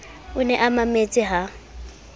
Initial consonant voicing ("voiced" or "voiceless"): voiced